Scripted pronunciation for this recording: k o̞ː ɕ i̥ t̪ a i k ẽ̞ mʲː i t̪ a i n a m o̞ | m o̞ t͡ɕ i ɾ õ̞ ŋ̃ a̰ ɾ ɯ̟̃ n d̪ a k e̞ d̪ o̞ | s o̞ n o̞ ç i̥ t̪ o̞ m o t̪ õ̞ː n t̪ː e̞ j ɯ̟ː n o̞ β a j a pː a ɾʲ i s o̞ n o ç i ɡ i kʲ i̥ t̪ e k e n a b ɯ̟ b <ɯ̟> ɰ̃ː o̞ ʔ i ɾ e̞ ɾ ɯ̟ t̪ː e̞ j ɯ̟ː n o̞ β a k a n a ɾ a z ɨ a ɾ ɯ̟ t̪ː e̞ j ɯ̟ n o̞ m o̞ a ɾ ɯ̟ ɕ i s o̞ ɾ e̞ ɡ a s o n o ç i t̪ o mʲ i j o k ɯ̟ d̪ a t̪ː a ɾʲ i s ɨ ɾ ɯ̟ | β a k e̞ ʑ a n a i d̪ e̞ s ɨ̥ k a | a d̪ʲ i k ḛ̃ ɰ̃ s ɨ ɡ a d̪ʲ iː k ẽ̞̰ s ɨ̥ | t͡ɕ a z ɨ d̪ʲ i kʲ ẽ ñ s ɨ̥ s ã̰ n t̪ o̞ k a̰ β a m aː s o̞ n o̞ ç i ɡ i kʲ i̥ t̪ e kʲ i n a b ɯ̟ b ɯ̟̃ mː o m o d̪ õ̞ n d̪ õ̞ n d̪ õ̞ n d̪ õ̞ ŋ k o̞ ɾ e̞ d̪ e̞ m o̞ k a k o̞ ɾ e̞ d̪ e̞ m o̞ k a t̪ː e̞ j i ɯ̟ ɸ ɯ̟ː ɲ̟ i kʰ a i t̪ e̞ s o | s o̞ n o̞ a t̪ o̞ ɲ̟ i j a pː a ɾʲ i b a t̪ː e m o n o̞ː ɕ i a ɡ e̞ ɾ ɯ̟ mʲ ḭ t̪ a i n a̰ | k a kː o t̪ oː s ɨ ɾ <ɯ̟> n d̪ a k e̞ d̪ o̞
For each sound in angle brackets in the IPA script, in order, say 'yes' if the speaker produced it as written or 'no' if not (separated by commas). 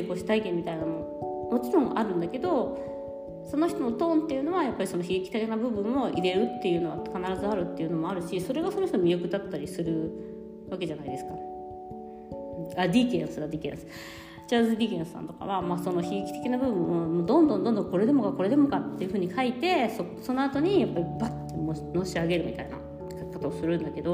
no, no